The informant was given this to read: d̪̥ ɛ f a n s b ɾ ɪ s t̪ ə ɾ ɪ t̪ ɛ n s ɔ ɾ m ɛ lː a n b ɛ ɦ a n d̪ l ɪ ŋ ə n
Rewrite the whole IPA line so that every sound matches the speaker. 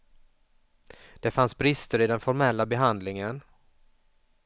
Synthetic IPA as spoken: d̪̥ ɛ f a n s b ɾ ɪ s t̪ ə ɾ ɪ d̪ ɛ n f ɔ ɾ m ɛ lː a b ɛ ɦ a n d̪ l ɪ ŋ ə n